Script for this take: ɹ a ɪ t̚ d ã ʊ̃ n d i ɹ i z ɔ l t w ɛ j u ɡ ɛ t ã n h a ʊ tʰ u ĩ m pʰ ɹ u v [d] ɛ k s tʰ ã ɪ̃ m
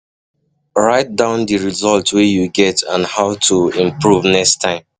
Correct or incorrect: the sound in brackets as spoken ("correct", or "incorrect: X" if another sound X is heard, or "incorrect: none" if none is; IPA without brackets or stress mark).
incorrect: n